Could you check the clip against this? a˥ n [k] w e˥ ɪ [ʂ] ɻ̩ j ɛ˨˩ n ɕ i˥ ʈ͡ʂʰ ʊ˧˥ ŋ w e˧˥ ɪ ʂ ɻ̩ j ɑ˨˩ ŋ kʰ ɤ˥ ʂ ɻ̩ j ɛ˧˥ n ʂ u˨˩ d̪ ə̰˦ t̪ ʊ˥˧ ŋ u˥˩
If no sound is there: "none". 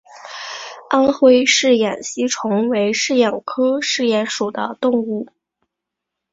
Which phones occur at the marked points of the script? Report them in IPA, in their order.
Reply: x, ʂ

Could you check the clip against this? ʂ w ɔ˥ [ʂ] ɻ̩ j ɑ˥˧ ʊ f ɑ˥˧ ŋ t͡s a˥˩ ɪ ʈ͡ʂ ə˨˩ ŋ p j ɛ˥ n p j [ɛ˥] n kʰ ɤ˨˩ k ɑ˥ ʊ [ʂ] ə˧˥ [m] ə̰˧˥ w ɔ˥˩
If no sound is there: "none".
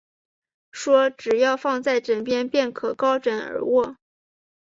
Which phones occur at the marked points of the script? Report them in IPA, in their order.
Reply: ʈ͡ʂ, ɛ˥˩, ʈ͡ʂ, n

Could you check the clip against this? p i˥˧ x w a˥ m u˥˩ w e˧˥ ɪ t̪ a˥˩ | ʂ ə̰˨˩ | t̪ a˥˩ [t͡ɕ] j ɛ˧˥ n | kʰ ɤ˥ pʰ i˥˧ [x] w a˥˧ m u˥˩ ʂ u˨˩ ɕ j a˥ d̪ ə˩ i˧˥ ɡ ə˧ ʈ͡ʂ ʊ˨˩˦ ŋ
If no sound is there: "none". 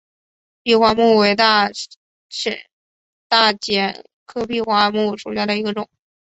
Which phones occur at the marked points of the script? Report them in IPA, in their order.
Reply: t͡ɕ, x

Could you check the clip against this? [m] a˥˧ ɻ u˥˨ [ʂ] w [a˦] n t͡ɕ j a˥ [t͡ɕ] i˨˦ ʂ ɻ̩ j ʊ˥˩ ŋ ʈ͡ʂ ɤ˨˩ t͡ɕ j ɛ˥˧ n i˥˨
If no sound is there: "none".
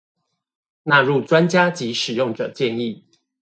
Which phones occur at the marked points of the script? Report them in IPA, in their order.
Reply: n, ʈ͡ʂ, a˦, t͡ɕ

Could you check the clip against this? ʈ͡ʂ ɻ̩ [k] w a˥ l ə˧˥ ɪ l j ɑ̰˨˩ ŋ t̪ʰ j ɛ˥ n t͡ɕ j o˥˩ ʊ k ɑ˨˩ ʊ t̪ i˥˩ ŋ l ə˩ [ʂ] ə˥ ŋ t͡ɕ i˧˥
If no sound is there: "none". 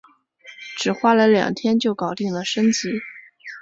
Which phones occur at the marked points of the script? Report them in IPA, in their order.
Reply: x, ʂ

